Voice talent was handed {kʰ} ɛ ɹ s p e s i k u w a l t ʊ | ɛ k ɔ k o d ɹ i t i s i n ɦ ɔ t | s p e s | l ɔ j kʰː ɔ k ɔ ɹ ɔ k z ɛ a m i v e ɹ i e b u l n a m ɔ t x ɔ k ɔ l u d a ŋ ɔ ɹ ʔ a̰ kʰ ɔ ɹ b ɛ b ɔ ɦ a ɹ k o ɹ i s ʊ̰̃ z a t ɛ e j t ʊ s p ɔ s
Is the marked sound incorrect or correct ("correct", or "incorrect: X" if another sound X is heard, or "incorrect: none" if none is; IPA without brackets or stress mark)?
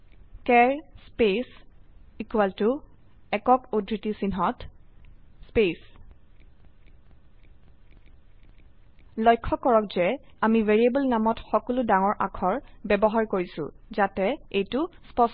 incorrect: k